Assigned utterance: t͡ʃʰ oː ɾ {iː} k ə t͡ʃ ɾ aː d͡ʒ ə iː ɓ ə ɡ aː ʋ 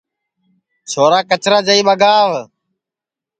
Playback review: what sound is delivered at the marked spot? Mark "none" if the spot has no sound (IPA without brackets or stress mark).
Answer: aː